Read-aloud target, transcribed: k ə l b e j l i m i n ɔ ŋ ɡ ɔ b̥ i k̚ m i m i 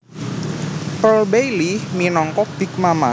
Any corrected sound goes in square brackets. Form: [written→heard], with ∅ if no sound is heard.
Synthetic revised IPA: [k→p] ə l b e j l i m i n ɔ ŋ [ɡ→k] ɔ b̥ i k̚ m [i→a] m [i→a]